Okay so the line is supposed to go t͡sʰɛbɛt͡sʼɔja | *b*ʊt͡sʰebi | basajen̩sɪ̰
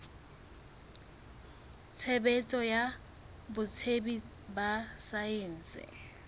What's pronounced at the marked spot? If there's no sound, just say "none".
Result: b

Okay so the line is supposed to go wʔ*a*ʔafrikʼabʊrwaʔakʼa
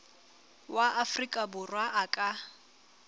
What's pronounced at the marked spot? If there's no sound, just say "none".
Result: a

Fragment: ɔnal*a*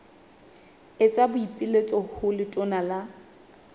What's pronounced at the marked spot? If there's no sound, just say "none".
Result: a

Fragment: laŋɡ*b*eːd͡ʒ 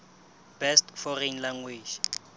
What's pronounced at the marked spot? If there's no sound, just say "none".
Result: w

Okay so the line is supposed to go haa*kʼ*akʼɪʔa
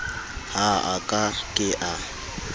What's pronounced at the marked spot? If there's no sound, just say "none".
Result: kʼ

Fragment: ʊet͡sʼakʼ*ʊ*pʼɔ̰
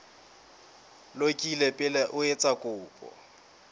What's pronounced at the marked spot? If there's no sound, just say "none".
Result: ʊː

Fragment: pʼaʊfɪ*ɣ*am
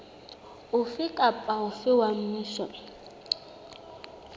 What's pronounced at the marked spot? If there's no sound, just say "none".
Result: w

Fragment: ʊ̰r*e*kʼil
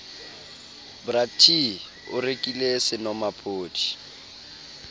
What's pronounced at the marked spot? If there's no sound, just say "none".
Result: e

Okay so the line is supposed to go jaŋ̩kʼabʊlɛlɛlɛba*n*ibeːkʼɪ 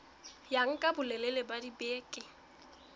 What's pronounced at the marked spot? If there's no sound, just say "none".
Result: d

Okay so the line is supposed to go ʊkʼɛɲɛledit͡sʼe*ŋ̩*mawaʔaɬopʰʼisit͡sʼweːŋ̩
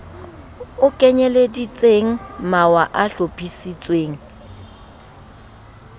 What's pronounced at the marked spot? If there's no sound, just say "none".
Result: ŋ̩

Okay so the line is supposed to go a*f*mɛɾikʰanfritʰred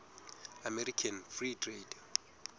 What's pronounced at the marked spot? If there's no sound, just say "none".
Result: none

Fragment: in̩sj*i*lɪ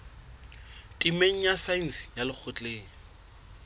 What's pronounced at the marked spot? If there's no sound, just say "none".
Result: a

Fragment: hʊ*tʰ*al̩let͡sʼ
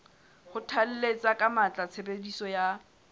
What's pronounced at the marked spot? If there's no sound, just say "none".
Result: tʰ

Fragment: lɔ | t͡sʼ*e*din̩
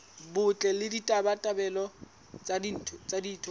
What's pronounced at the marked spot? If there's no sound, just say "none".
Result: a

